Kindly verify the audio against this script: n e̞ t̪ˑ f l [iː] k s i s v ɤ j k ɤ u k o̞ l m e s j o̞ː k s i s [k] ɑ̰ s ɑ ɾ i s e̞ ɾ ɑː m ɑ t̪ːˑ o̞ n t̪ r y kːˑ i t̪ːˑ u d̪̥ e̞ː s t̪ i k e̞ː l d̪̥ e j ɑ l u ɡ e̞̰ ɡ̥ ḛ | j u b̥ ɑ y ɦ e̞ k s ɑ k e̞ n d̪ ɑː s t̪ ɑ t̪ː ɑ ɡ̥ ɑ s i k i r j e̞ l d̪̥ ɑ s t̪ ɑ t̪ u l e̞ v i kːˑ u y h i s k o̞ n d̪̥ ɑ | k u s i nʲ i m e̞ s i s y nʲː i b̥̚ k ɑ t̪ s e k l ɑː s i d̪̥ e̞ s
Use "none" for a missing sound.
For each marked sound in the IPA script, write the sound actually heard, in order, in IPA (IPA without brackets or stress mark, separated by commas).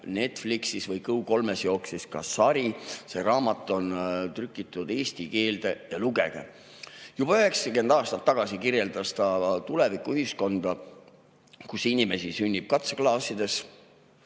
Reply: i, k